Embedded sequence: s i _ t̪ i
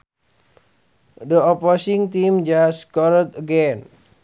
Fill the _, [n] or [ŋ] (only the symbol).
ŋ